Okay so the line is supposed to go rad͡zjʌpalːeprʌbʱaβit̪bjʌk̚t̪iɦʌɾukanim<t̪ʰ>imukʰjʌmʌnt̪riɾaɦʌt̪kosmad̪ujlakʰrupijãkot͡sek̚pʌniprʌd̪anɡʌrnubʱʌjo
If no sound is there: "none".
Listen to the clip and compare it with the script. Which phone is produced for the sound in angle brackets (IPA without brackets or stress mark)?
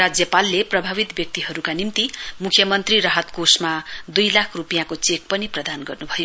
t̪